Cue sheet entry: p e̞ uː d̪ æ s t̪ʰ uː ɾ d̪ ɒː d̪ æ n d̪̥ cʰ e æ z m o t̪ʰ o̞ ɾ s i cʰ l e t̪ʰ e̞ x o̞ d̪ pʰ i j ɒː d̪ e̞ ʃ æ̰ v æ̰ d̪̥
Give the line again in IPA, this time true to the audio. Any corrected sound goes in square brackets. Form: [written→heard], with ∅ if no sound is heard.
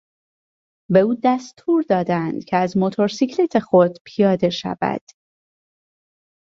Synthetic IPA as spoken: [p→b] e̞ uː d̪ æ s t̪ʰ uː ɾ d̪ ɒː d̪ æ n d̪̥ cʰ e æ z m o t̪ʰ o̞ ɾ s i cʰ l e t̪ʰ e̞ x o̞ d̪ pʰ i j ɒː d̪ e̞ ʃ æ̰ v æ̰ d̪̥